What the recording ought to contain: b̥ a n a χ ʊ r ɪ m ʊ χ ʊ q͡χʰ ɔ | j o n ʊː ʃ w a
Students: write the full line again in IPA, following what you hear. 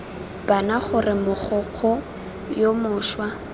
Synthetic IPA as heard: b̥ a n a χ ʊ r ɪ m ʊ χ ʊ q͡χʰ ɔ | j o m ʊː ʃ w a

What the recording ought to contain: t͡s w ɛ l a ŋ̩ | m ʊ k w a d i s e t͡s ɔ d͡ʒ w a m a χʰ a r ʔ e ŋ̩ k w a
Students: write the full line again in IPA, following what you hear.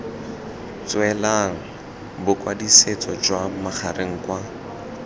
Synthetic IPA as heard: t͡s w ɛ l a ŋ̩ | b ʊ k w a d i s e t͡s ɔ d͡ʒ w a m a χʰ a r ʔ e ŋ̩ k w a

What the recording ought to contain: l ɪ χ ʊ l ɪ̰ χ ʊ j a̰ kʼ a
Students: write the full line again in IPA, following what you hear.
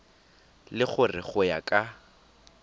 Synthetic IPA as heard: l ɪ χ ʊ r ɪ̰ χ ʊ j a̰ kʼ a

